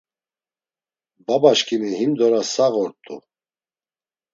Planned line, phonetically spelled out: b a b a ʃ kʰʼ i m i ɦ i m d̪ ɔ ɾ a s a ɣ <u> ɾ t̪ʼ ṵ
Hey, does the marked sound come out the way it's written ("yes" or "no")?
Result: no